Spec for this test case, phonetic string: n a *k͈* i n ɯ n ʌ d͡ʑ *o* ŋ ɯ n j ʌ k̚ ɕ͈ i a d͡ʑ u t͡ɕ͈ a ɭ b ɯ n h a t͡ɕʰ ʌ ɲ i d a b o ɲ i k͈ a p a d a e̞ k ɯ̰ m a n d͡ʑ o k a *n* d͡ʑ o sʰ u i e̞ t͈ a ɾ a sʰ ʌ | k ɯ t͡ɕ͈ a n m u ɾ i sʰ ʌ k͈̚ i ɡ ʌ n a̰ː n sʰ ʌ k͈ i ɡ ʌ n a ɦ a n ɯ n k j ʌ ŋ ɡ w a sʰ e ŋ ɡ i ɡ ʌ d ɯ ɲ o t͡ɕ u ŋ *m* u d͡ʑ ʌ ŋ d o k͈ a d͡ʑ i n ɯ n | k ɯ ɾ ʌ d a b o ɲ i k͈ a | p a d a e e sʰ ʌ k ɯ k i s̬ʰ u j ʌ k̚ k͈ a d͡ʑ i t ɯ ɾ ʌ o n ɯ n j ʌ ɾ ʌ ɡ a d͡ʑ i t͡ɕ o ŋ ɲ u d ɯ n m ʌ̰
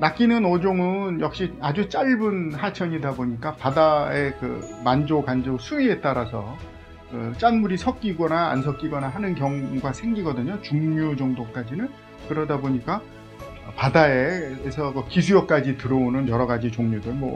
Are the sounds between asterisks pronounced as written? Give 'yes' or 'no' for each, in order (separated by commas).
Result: yes, yes, yes, no